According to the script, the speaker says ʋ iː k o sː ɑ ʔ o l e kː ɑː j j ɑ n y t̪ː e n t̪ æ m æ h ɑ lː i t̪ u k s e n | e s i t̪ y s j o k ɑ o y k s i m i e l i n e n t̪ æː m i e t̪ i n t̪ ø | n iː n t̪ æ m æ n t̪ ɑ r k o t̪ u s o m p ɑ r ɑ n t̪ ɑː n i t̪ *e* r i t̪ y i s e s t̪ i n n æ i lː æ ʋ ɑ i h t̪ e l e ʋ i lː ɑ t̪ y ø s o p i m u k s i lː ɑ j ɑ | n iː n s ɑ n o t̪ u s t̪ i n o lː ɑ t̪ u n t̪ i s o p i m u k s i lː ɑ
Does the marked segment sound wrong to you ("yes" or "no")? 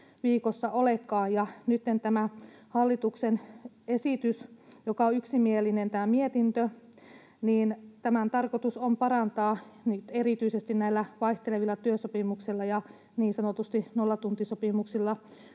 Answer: no